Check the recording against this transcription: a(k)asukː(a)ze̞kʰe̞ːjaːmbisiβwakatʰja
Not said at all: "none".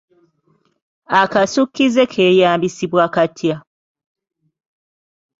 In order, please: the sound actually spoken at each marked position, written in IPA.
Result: k, i

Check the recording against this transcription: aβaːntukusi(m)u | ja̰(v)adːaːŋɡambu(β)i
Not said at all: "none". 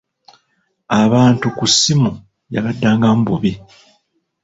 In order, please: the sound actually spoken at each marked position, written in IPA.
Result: m, β, β

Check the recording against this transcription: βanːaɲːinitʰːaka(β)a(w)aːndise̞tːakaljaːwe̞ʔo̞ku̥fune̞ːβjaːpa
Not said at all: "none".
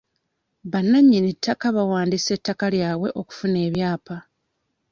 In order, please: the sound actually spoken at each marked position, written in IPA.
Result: β, w

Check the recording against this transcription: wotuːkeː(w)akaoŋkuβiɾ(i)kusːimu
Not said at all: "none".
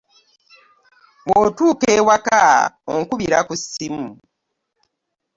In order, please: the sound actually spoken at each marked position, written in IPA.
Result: w, a

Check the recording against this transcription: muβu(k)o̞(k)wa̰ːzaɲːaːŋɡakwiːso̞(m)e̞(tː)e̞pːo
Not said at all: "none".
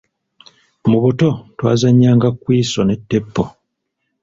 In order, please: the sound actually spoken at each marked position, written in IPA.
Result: t, t, n, tː

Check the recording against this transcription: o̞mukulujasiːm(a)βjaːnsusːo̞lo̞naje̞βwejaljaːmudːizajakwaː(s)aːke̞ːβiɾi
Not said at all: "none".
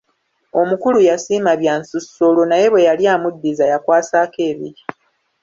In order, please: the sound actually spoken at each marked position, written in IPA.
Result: a, s

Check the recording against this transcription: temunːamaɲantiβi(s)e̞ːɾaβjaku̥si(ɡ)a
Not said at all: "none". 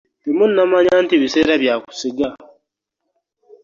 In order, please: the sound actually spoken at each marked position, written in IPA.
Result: s, ɡ

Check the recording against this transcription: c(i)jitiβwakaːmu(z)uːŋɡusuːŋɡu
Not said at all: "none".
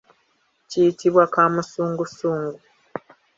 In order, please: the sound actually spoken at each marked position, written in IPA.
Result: i, s

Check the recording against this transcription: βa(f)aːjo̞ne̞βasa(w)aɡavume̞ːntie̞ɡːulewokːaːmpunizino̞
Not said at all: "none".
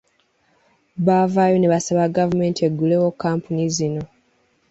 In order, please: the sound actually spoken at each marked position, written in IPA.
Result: v, β

